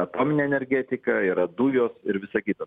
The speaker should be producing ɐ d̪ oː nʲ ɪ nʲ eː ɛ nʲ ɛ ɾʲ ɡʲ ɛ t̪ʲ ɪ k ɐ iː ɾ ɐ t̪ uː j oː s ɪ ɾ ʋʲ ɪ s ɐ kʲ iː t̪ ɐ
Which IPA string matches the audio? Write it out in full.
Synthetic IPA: ɐ t̪ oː mʲ ɪ nʲ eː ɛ nʲ ɛ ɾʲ ɡʲ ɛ t̪ʲ ɪ k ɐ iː ɾ ɐ d̪ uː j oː s ɪ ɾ ʋʲ ɪ s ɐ kʲ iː t̪ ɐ